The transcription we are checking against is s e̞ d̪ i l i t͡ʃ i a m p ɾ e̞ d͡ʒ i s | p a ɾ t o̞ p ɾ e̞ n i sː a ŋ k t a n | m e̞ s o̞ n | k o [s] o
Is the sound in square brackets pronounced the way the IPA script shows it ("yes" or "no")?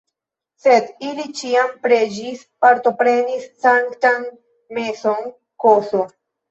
yes